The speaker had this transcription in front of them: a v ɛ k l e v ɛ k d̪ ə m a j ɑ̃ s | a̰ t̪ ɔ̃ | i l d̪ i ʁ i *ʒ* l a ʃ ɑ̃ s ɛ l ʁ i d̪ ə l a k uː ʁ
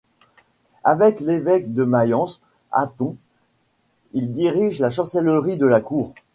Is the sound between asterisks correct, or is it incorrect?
correct